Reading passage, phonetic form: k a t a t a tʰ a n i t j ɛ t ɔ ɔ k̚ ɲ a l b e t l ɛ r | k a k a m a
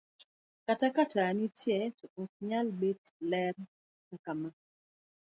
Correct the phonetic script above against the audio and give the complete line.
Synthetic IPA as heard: k a t a k a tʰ a n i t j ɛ t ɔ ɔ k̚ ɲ a l b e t l ɛ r | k a k a m a